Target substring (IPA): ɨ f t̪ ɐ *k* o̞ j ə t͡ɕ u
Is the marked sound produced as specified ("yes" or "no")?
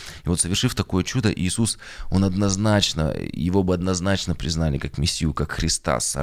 yes